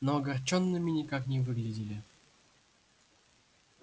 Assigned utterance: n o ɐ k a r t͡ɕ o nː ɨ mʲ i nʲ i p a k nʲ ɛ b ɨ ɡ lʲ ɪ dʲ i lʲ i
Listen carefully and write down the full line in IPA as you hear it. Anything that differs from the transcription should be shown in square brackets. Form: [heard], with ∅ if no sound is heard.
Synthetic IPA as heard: n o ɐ [ɡ] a r t͡ɕ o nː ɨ mʲ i nʲ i [k] a k nʲ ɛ [v] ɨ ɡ lʲ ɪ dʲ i lʲ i